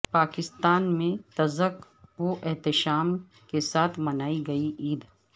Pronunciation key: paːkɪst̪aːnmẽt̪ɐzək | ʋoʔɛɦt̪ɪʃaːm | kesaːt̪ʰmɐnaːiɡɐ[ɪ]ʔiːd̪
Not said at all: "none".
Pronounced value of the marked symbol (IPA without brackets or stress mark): i